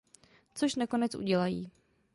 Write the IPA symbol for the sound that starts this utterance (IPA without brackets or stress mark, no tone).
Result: t͡s